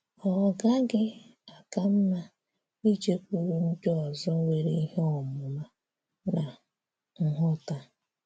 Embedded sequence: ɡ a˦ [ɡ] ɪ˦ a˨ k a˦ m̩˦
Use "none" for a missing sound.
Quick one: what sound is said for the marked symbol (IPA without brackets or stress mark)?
ɡ